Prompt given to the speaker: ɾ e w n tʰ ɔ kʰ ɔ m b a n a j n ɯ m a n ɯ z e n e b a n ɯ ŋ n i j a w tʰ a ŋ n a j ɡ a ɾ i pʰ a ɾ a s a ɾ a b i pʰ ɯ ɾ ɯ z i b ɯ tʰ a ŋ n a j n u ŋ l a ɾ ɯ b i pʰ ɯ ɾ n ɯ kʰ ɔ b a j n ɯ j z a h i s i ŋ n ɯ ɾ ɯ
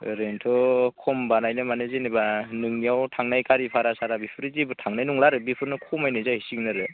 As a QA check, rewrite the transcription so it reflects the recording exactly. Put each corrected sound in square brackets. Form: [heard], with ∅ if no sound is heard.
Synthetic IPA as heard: ɾ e [∅] n tʰ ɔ kʰ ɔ m b a n a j n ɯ m a n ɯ z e n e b a n ɯ ŋ n i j a w tʰ a ŋ n a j [k] a ɾ i pʰ a ɾ a s a ɾ a b i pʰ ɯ ɾ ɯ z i b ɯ tʰ a ŋ n a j n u ŋ l a ɾ ɯ b i pʰ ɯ ɾ n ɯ kʰ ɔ [m] a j n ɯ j z a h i s i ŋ n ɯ ɾ ɯ